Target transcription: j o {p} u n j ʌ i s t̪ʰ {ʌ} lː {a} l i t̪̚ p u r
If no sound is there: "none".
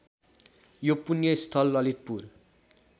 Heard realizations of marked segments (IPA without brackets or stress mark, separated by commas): p, ʌ, ʌ